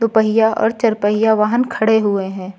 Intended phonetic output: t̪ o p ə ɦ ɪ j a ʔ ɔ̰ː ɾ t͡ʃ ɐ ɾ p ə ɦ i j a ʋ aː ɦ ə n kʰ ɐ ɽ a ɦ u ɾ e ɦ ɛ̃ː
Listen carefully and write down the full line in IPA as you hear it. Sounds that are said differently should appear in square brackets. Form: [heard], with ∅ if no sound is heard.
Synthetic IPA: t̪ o p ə ɦ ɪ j a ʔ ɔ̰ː ɾ t͡ʃ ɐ ɾ p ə ɦ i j a ʋ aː ɦ ə n kʰ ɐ ɽ [e] ɦ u [∅] e ɦ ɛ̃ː